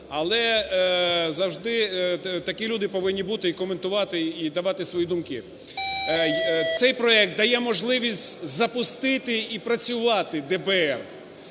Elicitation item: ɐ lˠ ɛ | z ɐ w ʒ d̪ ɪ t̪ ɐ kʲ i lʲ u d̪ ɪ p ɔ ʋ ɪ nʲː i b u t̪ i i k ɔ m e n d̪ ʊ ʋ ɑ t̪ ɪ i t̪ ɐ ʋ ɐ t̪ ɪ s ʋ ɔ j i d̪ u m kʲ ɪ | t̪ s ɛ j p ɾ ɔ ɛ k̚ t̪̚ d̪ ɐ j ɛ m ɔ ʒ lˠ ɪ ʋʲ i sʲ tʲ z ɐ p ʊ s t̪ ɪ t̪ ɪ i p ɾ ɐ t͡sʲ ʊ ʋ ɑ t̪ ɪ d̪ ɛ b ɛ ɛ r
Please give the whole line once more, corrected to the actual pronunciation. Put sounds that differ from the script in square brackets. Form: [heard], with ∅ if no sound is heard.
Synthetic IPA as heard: ɐ lˠ ɛ | z ɐ w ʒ d̪ ɪ t̪ ɐ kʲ i lʲ u d̪ ɪ p ɔ ʋ ɪ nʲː i b u t̪ [ɪ] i k ɔ m e n [t̪] ʊ ʋ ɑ t̪ ɪ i [d̪] ɐ ʋ [ɑ] t̪ ɪ s ʋ ɔ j i d̪ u m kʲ ɪ | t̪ s ɛ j p ɾ ɔ ɛ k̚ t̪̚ d̪ ɐ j ɛ m ɔ ʒ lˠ ɪ ʋʲ i sʲ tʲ z ɐ p ʊ s t̪ ɪ t̪ ɪ i p ɾ ɐ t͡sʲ ʊ ʋ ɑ t̪ ɪ d̪ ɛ b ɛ ɛ r